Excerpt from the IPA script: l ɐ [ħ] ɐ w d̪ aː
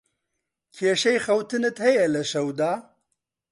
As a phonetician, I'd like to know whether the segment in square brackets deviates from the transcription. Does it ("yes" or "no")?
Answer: yes